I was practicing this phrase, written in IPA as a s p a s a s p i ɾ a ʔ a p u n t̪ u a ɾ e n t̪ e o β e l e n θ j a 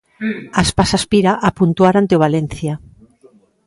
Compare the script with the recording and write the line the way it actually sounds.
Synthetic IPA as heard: a s p a s a s p i ɾ a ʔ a p u n t̪ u a ɾ a n t̪ e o β a l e n θ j a